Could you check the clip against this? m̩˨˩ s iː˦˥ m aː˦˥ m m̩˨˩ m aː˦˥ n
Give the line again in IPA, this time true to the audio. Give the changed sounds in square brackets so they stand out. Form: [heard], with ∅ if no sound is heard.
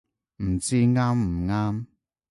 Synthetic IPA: m̩˨˩ [t͡s] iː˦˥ [ŋ] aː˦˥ m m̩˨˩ [ŋ] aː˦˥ [m]